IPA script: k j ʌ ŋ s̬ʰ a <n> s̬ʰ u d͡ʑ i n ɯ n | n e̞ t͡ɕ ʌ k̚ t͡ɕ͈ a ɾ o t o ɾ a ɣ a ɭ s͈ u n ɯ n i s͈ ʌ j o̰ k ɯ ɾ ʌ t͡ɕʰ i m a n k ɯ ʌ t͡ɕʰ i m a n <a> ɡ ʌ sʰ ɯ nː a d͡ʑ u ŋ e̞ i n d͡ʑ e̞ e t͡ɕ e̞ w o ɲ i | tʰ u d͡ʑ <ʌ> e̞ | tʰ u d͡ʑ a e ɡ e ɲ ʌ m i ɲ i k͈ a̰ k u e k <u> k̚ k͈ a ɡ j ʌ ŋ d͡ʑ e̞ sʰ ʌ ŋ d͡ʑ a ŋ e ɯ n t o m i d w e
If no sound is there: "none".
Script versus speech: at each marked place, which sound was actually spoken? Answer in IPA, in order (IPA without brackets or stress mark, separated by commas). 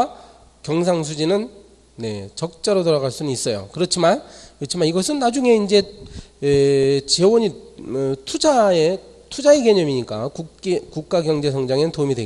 ŋ, i, a, u